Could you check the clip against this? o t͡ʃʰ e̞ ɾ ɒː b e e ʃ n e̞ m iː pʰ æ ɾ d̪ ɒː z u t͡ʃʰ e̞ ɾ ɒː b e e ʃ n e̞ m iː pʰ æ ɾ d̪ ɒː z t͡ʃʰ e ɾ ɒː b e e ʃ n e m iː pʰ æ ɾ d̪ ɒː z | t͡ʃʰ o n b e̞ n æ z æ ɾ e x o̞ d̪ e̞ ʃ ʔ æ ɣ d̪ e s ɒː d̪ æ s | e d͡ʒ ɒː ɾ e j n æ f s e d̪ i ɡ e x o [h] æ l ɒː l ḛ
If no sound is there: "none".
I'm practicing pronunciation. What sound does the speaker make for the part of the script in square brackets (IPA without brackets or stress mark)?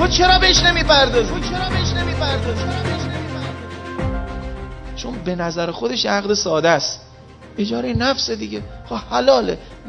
h